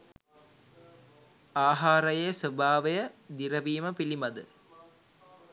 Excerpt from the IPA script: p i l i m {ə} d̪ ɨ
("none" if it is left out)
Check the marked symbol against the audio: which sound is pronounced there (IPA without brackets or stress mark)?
ɐ